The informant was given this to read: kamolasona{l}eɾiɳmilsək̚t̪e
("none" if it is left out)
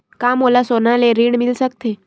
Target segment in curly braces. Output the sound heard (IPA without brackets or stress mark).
l